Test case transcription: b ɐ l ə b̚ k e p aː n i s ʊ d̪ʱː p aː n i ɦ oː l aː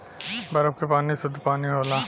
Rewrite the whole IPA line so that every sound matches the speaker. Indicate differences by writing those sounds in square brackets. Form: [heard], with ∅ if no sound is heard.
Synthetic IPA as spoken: b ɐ [ɾ] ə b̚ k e p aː n i s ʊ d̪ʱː p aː n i ɦ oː l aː